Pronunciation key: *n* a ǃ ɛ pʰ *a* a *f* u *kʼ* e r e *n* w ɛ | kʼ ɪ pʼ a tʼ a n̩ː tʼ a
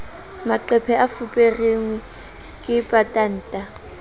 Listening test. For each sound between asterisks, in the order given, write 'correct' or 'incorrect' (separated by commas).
incorrect, incorrect, correct, incorrect, incorrect